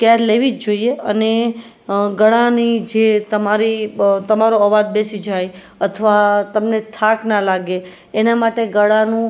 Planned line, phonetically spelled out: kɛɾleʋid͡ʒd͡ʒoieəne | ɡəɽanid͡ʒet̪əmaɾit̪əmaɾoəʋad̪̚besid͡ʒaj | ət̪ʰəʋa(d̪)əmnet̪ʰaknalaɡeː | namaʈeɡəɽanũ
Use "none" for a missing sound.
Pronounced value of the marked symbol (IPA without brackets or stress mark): t̪